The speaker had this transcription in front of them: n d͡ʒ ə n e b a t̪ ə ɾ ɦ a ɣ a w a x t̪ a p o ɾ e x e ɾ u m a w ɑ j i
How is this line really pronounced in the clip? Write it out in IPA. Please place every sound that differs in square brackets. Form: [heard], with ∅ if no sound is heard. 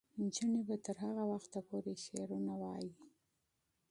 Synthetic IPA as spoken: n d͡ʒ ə n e b a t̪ ə ɾ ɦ a ɣ a w a x t̪ a p o ɾ e [ʃ] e ɾ u [n] a w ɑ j i